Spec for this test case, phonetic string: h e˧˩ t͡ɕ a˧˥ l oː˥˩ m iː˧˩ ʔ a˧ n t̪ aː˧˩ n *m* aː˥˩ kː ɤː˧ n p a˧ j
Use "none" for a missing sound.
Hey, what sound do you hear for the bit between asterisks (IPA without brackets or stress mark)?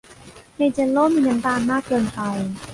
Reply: m